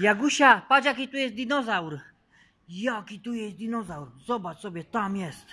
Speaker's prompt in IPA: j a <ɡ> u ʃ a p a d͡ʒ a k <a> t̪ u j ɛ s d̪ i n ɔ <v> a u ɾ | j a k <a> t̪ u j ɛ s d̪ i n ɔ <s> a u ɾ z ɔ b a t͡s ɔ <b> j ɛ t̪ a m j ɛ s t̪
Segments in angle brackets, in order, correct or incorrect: correct, incorrect, incorrect, incorrect, incorrect, correct

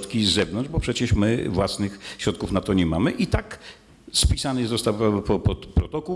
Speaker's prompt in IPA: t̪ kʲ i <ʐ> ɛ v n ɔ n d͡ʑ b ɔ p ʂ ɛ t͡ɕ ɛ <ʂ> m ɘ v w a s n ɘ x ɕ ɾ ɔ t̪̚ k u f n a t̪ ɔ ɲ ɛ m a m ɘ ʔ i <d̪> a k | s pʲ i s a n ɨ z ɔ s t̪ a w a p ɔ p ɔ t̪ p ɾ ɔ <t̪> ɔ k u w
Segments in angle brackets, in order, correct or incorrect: incorrect, correct, incorrect, correct

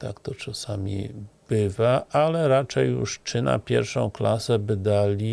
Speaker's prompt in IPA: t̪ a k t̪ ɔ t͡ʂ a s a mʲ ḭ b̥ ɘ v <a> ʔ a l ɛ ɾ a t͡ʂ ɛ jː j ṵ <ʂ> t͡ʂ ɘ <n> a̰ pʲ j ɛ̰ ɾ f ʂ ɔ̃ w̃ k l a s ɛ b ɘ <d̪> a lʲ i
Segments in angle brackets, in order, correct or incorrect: correct, correct, correct, correct

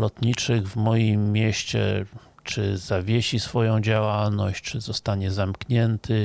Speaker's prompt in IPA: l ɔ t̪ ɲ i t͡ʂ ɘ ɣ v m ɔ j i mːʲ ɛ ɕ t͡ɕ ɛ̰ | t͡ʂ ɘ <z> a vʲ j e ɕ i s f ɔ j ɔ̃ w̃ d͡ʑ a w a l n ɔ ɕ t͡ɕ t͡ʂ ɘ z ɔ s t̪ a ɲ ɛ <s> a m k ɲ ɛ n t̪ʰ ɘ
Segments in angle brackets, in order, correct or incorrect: correct, incorrect

